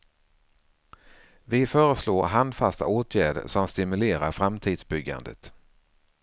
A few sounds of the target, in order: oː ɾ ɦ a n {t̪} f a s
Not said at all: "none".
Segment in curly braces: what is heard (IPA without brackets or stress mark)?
d̪